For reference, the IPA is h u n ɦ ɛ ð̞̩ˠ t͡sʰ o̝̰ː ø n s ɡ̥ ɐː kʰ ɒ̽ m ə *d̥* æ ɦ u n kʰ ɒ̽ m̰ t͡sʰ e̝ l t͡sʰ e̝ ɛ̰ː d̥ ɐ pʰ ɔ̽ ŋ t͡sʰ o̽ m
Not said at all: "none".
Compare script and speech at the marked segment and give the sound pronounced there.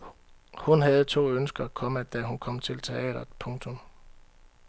d̥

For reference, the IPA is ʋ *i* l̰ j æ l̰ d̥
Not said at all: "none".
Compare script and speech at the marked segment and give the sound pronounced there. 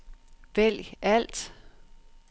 e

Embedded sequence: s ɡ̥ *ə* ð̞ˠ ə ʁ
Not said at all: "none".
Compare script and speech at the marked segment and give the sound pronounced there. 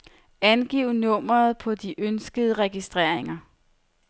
ə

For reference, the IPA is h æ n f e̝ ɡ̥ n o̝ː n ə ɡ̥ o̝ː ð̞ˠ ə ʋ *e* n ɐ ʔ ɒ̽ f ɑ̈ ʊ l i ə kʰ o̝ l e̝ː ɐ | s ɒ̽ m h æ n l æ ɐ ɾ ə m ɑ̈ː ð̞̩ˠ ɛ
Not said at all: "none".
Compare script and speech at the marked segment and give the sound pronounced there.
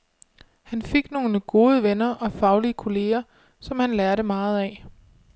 e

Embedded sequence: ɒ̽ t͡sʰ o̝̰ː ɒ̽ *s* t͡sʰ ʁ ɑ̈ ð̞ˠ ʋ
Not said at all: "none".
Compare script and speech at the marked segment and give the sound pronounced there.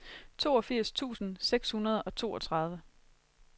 none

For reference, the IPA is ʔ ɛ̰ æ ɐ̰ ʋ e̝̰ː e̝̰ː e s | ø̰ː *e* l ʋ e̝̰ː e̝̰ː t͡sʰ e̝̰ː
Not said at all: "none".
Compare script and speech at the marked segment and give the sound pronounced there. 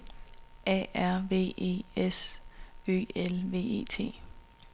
e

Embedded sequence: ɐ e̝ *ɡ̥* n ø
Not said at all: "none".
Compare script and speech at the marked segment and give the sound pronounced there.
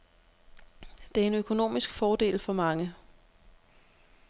none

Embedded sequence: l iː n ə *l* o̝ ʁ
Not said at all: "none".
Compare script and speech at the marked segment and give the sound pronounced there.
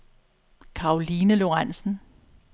l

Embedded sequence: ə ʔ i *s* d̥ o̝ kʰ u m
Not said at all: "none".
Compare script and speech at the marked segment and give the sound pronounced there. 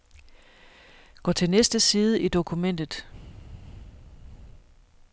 none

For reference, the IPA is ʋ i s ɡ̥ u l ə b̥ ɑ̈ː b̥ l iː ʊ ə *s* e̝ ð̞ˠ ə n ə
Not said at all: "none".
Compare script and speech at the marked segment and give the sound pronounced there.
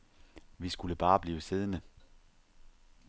s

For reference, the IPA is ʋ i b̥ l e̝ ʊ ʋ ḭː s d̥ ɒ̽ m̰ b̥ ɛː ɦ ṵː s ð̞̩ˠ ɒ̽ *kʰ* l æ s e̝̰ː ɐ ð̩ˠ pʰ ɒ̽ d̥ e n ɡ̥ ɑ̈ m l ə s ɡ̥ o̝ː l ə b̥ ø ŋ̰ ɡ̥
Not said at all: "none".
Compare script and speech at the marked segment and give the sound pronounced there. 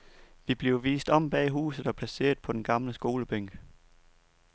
pʰ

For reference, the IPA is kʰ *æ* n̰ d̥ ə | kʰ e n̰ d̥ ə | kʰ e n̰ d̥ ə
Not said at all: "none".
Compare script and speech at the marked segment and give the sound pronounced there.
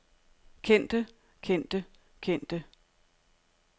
e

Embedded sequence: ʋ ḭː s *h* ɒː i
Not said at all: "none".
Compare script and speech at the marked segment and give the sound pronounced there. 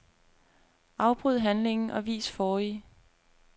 f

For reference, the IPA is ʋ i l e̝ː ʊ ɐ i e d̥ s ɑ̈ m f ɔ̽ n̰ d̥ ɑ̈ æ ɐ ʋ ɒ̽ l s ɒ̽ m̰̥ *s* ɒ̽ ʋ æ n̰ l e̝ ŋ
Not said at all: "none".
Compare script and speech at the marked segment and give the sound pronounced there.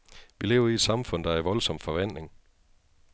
f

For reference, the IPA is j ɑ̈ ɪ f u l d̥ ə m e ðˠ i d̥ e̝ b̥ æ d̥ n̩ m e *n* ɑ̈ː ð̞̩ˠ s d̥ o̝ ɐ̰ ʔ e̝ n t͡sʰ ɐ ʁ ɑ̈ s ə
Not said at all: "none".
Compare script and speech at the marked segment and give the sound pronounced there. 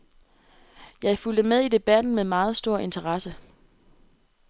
m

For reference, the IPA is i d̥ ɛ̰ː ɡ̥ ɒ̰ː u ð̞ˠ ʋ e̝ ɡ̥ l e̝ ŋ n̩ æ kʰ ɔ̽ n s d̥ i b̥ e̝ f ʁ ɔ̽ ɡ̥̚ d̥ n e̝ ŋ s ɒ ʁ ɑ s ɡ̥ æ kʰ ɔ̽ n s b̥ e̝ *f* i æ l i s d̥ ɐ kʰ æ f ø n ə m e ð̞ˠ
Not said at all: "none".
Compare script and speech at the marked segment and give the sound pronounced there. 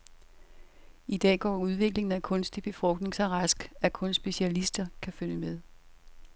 ɕ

